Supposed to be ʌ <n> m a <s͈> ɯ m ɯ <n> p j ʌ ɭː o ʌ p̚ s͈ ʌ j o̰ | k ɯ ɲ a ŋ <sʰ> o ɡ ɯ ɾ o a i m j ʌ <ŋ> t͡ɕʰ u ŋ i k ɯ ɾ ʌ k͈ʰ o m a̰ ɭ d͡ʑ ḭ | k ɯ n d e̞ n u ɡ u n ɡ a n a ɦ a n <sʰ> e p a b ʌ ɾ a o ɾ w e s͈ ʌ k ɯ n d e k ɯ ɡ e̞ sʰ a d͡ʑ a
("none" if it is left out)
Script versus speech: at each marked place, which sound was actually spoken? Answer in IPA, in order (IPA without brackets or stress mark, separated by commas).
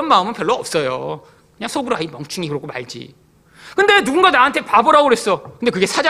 n, none, n, sʰ, ŋ, tʰ